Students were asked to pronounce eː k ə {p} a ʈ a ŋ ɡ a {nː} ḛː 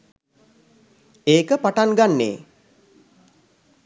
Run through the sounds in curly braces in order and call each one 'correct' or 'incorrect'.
correct, correct

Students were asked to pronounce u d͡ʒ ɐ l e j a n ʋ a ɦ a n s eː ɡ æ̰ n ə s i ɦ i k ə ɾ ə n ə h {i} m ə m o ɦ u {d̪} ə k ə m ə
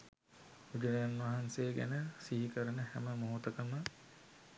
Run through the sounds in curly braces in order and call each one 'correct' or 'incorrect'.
incorrect: æ, incorrect: t̪

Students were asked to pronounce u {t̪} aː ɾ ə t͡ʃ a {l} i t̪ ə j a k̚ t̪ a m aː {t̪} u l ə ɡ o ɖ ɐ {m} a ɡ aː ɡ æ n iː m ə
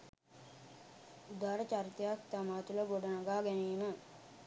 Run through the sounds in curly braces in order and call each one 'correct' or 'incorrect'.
incorrect: d̪, incorrect: ɾ, correct, incorrect: n

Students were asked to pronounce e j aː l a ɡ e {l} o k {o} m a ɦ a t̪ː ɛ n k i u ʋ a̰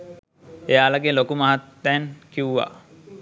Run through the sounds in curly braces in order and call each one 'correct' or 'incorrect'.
correct, incorrect: u

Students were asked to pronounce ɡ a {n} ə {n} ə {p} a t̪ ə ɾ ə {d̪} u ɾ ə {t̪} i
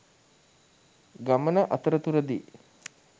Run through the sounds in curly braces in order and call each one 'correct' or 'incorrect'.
incorrect: m, correct, incorrect: ʔ, incorrect: t̪, incorrect: d̪

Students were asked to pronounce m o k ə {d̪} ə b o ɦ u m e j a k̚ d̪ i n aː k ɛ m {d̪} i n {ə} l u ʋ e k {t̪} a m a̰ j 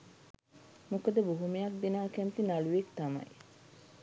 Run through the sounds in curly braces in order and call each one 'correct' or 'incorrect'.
correct, incorrect: t̪, incorrect: a, correct

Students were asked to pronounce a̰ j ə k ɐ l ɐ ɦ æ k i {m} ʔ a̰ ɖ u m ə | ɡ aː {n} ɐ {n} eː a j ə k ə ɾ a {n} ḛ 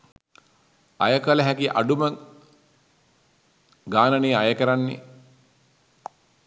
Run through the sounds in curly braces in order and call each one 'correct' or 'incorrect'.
incorrect: none, correct, correct, incorrect: nː

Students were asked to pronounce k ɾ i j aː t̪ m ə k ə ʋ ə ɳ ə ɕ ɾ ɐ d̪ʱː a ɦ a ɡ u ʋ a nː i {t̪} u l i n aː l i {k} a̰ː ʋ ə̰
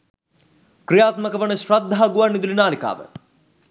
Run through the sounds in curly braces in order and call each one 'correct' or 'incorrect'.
incorrect: d̪, correct

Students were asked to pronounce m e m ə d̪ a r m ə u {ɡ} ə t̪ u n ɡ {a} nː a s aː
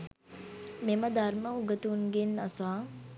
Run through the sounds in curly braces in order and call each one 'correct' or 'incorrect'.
correct, incorrect: e

